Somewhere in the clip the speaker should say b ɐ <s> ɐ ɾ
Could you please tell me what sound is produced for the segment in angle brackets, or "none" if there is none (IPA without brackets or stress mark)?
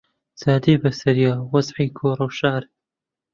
s